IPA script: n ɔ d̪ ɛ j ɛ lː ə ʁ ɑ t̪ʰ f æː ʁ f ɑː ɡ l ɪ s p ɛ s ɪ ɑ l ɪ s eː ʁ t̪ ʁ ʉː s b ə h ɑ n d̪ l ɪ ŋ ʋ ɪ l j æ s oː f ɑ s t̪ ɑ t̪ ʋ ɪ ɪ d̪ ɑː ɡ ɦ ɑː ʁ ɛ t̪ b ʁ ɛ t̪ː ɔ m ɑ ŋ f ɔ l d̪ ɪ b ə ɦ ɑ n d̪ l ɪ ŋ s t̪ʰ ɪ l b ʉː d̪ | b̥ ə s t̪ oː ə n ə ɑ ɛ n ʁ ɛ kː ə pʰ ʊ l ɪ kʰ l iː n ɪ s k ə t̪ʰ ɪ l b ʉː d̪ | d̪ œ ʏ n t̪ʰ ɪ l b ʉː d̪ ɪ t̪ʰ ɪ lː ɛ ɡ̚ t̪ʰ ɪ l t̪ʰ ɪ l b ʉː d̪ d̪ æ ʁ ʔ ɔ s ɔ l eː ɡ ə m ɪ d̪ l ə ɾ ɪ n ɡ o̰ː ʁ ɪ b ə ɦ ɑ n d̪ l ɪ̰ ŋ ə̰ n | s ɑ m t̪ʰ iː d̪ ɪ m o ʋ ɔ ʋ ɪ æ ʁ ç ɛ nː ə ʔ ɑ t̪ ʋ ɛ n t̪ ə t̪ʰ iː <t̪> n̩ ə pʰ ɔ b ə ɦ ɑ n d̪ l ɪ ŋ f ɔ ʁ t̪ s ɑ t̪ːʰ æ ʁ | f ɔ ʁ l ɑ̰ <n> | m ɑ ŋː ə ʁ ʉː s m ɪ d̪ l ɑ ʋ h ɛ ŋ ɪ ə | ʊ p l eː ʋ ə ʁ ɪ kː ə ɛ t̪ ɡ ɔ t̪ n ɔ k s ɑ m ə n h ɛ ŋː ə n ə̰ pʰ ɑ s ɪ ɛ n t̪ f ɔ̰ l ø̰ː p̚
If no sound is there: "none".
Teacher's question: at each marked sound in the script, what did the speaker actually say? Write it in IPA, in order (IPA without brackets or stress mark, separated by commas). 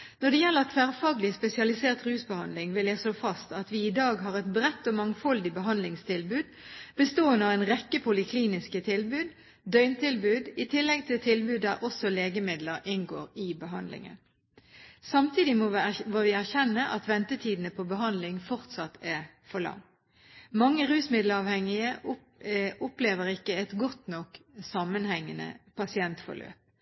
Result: d̪, ŋ